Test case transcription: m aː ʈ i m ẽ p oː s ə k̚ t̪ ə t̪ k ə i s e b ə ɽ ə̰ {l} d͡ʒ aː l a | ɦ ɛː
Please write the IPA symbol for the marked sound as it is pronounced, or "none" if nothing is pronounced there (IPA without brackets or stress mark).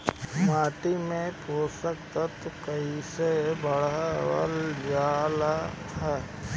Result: l